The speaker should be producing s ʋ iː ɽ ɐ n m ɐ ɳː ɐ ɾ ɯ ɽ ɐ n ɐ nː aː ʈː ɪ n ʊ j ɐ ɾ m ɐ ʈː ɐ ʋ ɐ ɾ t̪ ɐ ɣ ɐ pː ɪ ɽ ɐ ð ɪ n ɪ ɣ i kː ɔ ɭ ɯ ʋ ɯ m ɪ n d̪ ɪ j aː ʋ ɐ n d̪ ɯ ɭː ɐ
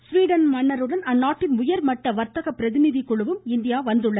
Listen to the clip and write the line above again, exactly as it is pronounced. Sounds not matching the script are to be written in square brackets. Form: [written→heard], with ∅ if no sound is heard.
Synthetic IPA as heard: s ʋ iː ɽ ɐ n m ɐ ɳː ɐ ɾ ɯ ɽ ɐ n ɐ nː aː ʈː ɪ n ʊ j ɐ ɾ m ɐ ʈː ɐ ʋ ɐ ɾ t̪ ɐ ɣ ɐ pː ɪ [ɽ→ɾ] ɐ ð ɪ n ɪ [ɣ→ð] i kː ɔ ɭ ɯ ʋ ɯ m ɪ n d̪ ɪ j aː ʋ ɐ n d̪ ɯ ɭː ɐ